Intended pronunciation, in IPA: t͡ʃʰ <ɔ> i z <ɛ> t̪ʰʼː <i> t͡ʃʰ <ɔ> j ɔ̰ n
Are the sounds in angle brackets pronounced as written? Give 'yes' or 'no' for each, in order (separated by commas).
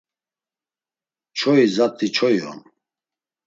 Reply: yes, no, yes, yes